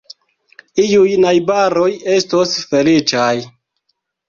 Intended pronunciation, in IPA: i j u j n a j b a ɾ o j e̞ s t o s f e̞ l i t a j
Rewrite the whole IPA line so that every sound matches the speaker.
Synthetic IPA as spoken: i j u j n a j b a ɾ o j e̞ s t o s f e̞ l i t͡ʃ a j